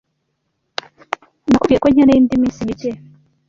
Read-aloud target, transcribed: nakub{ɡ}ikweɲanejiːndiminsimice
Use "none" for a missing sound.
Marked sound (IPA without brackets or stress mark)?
ɡ